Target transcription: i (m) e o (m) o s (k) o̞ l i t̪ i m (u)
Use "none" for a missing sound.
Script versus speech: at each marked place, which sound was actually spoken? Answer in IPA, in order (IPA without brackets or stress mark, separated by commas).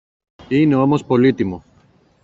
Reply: n, m, p, o